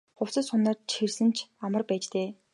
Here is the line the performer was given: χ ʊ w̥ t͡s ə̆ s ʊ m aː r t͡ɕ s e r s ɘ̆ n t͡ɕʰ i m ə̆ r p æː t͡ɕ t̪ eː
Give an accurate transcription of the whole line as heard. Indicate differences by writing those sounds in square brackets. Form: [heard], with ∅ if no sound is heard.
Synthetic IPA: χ ʊ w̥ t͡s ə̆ s ʊ [n] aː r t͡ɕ [x] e r s ɘ̆ n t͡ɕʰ [a] m ə̆ r p æː t͡ɕ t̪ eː